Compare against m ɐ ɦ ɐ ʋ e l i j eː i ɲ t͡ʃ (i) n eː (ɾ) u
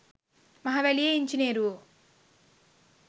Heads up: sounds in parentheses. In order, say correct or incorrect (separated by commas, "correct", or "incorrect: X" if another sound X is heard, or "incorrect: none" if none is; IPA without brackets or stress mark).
correct, correct